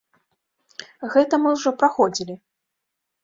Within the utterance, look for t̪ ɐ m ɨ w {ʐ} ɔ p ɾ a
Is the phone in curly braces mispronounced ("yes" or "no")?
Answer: no